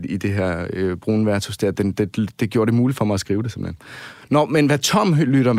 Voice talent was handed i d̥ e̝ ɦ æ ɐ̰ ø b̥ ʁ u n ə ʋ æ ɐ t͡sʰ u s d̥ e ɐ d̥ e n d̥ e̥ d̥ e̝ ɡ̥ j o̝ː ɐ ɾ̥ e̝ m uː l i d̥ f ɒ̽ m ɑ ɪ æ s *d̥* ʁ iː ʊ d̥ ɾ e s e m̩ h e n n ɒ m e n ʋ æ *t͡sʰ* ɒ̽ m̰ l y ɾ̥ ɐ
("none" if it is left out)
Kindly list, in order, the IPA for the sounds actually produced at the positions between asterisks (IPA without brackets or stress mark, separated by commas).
ɡ̥, t͡sʰ